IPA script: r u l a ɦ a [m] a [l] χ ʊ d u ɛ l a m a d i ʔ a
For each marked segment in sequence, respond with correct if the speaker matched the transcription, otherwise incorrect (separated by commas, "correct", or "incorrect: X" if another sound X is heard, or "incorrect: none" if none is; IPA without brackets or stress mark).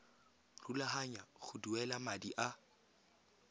incorrect: ɲ, incorrect: none